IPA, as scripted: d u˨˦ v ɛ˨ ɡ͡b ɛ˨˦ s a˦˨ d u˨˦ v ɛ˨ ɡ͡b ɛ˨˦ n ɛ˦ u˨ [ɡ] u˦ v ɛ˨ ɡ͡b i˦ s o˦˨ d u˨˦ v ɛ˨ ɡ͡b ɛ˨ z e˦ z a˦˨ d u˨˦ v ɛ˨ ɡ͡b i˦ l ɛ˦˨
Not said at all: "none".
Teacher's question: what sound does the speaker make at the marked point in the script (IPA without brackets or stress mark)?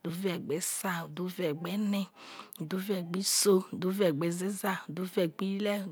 d